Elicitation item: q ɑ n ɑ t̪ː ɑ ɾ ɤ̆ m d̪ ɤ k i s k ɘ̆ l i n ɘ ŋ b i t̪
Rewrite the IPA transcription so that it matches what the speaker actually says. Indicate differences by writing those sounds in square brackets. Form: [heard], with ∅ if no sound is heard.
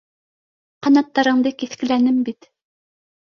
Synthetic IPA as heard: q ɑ n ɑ t̪ː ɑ ɾ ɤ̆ [ɴ] d̪ ɤ k i [θ] k ɘ̆ l [æ] n ɘ [m] b i t̪